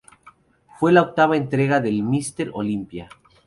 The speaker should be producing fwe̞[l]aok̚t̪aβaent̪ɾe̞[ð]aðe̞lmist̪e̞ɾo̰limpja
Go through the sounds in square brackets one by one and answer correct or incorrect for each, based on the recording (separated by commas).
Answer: correct, incorrect